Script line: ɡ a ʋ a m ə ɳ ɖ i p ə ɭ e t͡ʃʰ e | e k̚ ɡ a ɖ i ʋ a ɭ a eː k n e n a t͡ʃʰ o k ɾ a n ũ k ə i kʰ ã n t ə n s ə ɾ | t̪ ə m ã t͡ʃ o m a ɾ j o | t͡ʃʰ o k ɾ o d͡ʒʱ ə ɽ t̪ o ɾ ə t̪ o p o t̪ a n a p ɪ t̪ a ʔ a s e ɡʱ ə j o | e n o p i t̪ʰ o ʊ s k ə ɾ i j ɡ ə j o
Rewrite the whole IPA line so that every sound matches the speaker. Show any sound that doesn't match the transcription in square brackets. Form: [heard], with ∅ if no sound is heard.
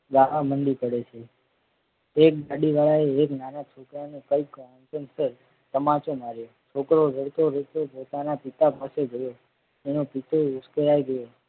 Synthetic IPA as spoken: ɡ a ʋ a m ə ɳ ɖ i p ə [ɽ] e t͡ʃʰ e | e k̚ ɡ a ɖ i ʋ a ɭ a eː k n [a] n a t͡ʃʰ o k ɾ a n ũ k ə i [k] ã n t ə n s ə ɾ | t̪ ə m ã t͡ʃ o m a ɾ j o | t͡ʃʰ o k ɾ o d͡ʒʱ ə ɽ t̪ o ɾ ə t̪ o p o t̪ a n a p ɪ t̪ a [p] a s e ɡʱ ə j o | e n o p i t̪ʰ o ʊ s k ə ɾ [a] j ɡ ə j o